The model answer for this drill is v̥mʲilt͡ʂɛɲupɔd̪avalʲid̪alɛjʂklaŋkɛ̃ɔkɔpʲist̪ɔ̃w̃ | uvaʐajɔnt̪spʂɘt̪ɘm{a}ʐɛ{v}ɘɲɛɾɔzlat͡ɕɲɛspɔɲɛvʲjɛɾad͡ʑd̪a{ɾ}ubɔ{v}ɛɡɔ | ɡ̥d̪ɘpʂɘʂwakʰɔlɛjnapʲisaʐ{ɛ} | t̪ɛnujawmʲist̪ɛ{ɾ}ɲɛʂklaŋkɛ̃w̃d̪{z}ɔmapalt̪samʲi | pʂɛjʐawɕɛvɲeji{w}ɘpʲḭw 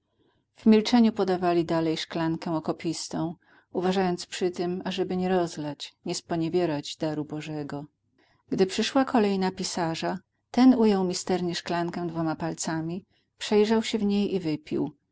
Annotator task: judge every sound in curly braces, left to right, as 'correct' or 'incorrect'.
correct, incorrect: b, correct, incorrect: ʐ, incorrect: a, correct, incorrect: v, incorrect: v

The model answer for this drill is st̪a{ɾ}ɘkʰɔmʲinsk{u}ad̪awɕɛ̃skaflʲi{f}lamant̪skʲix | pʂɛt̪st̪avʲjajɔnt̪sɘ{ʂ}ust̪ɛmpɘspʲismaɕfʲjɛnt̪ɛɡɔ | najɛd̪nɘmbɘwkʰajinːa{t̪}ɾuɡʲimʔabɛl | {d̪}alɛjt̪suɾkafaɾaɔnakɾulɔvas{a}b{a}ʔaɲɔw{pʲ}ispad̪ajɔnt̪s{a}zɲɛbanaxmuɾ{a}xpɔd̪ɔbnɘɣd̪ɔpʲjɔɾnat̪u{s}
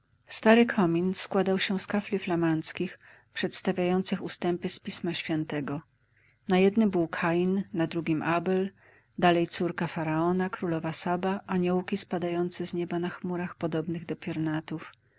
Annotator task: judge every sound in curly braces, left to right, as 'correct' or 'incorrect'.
correct, incorrect: w, correct, incorrect: x, incorrect: d̪, correct, correct, correct, incorrect: kʲ, incorrect: ɛ, correct, incorrect: f

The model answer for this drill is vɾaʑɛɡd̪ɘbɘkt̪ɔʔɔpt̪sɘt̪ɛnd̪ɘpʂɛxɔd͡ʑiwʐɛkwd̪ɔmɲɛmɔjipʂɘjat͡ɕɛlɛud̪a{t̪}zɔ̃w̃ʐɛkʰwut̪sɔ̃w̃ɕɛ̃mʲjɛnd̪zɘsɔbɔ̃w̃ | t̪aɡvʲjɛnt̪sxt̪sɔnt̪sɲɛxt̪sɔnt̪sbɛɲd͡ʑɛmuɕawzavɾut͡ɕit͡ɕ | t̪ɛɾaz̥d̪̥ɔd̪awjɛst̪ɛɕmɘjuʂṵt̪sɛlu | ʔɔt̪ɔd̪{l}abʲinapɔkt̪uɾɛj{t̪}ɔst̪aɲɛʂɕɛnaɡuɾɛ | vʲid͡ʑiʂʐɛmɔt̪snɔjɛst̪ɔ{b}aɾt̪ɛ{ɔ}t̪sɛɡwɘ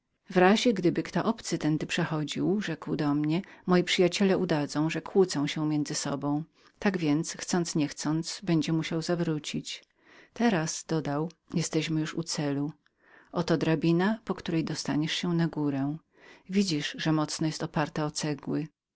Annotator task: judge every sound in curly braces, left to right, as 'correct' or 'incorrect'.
incorrect: d̪, incorrect: ɾ, incorrect: d̪, incorrect: p, correct

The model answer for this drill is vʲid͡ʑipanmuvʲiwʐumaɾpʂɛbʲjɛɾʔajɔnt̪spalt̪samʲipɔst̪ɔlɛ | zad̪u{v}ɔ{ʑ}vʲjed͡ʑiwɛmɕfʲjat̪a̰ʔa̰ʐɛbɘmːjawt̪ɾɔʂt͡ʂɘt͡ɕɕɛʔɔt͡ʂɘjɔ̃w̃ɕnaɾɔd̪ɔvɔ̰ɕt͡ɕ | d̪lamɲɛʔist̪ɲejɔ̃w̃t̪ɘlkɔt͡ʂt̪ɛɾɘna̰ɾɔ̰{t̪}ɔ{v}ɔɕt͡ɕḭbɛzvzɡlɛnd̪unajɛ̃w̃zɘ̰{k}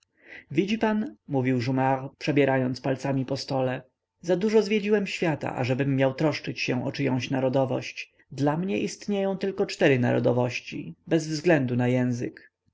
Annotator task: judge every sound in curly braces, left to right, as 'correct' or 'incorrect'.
incorrect: ʐ, incorrect: z, incorrect: d̪, correct, correct

